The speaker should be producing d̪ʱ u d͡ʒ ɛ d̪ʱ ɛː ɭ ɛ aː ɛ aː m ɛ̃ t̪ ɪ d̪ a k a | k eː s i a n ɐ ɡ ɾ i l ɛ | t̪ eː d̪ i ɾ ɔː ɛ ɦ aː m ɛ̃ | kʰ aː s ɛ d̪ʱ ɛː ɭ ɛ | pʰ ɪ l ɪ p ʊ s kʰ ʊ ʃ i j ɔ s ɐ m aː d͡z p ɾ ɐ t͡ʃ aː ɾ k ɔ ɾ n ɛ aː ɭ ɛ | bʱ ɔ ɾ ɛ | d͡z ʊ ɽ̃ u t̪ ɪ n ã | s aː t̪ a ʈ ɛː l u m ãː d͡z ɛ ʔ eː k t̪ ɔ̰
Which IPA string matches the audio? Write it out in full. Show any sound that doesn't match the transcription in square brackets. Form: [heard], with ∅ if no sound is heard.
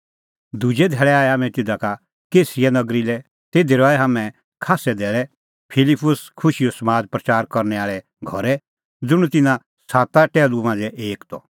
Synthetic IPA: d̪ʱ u d͡ʒ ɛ d̪ʱ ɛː ɭ ɛ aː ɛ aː m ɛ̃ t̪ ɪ d̪ a k a | k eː s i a n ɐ ɡ ɾ i l ɛ | t̪ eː d̪ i ɾ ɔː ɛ ɦ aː m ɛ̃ | kʰ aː s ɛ d̪ʱ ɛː ɭ ɛ | pʰ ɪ l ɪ p ʊ s kʰ ʊ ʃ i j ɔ s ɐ m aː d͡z p ɾ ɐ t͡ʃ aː ɾ k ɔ ɾ n ɛ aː ɭ ɛ | [ɡʱ] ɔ ɾ ɛ | d͡z ʊ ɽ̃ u t̪ ɪ n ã | s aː t̪ a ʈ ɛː l u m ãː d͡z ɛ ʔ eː k t̪ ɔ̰